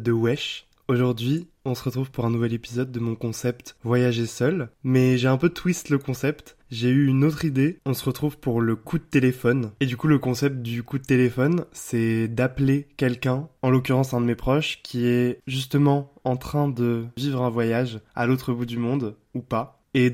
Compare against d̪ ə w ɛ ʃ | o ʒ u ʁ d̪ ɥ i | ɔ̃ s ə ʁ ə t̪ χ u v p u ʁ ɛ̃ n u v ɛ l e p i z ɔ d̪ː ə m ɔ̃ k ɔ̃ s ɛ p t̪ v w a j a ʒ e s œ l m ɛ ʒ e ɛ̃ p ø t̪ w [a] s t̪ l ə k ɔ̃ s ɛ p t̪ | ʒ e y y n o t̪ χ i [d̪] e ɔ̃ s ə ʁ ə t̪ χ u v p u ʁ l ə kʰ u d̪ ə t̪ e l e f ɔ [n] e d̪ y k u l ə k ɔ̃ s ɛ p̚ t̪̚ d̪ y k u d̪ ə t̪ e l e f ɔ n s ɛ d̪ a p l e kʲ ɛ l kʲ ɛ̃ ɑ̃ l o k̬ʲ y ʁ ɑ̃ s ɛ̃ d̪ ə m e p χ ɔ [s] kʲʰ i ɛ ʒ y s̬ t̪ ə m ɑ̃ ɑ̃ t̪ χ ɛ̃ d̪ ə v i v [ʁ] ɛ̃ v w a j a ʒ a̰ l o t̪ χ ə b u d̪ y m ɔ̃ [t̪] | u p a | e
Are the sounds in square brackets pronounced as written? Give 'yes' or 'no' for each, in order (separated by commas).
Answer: no, yes, yes, no, yes, no